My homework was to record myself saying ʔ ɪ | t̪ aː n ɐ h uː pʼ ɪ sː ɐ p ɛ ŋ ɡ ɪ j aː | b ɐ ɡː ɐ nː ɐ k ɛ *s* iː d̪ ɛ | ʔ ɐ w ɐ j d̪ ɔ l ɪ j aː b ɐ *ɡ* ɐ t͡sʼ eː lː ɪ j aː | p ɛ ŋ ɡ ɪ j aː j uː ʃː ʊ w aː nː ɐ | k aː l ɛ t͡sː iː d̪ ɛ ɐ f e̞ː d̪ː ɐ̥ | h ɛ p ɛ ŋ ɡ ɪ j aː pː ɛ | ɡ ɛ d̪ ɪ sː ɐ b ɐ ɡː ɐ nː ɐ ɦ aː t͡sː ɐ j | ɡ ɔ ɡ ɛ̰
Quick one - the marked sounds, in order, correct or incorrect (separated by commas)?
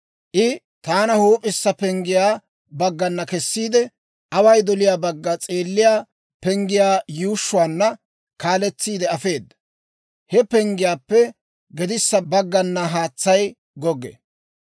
incorrect, incorrect